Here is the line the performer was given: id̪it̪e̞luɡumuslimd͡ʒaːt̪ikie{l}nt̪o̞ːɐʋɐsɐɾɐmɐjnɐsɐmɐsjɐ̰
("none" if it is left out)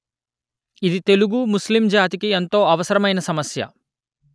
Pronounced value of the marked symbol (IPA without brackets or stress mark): none